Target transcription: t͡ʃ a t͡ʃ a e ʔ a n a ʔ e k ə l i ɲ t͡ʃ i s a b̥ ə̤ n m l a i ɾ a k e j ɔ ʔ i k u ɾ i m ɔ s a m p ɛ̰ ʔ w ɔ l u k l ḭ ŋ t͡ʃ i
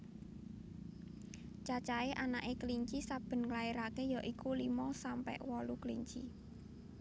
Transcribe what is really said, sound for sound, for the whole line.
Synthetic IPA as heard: t͡ʃ a t͡ʃ a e ʔ a n a ʔ e k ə l i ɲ t͡ʃ i s a b̥ ə̤ n ŋ l a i ɾ a k e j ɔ ʔ i k u l i m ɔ s a m p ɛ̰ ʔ w ɔ l u k l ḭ ɲ t͡ʃ i